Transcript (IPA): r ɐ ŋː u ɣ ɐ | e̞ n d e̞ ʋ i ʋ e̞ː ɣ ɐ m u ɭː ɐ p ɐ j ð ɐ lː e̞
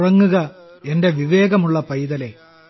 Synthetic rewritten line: r ɐ ŋː u ɣ ɐ | e̞ n d e̞ ʋ i ʋ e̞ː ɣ ɐ m u ɭː ɐ p ɐ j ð ɐ l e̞